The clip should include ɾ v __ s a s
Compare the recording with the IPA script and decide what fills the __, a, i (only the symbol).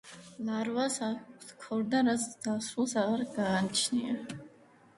a